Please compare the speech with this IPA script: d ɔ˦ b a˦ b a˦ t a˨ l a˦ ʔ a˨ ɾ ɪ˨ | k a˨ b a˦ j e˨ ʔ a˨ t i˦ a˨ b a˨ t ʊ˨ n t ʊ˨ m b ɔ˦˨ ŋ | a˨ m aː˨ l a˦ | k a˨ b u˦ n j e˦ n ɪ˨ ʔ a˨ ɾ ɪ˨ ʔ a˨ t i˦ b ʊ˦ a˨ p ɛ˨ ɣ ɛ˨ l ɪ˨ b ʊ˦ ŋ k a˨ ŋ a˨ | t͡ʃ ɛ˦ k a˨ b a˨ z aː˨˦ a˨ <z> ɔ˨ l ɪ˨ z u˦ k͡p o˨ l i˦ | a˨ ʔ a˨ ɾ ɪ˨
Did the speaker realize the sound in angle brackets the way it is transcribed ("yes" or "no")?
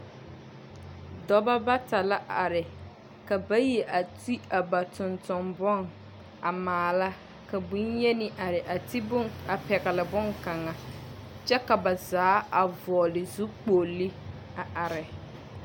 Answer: no